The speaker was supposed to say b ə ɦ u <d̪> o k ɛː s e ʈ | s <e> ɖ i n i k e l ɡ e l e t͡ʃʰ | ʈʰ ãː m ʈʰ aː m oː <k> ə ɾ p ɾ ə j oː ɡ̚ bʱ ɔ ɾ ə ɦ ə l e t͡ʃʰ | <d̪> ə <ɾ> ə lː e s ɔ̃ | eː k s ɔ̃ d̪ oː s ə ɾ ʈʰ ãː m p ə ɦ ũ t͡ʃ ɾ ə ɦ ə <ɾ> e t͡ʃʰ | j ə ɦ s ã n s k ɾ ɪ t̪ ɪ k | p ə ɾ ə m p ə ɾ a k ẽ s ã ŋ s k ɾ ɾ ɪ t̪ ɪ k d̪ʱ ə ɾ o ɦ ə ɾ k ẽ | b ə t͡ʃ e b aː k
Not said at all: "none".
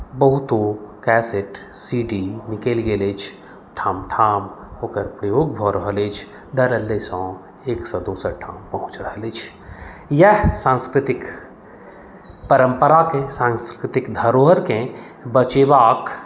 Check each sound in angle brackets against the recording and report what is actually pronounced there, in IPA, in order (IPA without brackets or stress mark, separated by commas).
t̪, i, k, d̪, ɾ, l